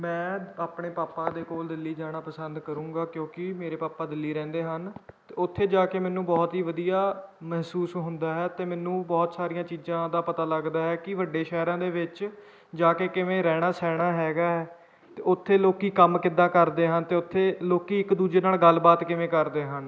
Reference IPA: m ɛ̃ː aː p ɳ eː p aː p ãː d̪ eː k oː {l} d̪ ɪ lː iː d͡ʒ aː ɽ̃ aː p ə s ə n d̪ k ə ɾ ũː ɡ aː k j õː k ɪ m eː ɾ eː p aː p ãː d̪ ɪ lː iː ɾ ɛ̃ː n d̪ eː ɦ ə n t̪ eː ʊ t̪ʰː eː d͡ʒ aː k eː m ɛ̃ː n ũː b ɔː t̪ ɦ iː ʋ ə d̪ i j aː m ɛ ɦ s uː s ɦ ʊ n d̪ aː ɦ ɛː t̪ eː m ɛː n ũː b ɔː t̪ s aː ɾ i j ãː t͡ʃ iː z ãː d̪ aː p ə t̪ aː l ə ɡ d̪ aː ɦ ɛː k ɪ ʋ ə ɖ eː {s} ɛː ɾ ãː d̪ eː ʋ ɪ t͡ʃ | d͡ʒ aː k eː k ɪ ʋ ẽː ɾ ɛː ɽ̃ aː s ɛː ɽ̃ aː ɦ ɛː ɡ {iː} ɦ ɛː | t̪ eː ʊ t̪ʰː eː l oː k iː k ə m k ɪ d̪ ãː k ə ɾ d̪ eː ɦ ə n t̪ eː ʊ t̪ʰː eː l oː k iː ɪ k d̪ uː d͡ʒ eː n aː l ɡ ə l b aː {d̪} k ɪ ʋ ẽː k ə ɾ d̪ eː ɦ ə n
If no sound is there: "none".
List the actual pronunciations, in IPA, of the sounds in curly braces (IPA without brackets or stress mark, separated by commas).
l, ʃ, aː, t̪